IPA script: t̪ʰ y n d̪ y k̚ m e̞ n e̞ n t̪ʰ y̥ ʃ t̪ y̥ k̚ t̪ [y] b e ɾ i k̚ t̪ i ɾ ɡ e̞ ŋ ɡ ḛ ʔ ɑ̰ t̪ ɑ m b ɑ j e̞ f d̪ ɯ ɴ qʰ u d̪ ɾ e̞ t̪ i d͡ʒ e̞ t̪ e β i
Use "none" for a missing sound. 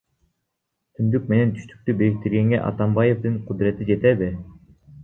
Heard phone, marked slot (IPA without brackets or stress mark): y